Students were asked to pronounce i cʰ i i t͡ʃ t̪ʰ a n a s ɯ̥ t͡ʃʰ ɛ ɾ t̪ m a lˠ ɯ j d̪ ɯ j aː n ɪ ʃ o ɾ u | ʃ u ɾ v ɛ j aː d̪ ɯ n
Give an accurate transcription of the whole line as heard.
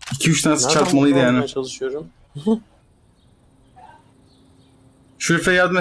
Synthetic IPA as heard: i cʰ i y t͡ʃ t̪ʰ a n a s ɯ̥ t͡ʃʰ a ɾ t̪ m a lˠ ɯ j d̪ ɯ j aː n ɪ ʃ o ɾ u | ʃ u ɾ f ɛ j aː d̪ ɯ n